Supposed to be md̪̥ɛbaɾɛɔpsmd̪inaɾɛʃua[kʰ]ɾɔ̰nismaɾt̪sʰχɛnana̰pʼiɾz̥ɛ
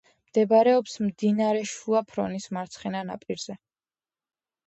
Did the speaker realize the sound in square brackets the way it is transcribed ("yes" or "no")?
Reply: no